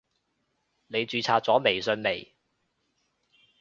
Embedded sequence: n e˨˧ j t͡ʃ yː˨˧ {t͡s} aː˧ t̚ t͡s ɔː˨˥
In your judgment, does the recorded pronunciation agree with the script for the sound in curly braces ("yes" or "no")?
no